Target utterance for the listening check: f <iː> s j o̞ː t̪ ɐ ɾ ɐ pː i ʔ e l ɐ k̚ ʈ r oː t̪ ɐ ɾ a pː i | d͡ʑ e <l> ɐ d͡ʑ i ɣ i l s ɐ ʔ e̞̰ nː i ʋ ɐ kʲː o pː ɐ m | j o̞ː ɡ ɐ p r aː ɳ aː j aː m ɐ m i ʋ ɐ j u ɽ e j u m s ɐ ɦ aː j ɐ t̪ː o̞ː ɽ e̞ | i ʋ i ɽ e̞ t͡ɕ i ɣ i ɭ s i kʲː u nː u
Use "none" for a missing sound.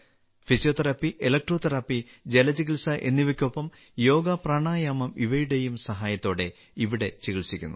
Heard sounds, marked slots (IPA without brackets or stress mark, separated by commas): i, l